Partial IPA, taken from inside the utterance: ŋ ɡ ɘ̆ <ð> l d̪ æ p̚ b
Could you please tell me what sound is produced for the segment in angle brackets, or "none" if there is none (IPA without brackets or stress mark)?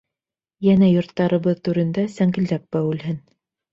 none